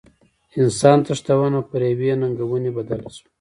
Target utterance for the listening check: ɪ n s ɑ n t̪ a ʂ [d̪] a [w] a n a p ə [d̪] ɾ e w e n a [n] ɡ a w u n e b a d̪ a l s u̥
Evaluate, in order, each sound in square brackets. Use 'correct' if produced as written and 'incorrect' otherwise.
incorrect, correct, incorrect, incorrect

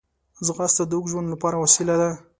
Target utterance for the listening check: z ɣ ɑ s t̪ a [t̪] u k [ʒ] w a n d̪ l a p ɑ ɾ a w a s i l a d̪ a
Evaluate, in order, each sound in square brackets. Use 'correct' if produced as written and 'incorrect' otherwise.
incorrect, correct

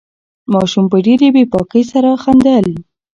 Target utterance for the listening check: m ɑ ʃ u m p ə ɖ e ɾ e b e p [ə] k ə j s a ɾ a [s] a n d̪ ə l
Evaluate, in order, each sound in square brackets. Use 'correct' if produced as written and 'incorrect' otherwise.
incorrect, incorrect

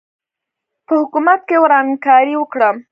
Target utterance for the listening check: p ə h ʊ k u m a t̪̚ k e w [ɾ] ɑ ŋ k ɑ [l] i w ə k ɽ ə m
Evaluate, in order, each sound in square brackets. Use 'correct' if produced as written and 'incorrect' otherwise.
correct, incorrect

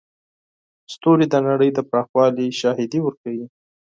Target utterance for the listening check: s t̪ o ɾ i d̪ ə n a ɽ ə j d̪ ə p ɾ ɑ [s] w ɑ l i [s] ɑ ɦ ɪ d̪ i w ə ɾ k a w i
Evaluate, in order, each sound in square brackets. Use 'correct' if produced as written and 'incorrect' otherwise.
incorrect, incorrect

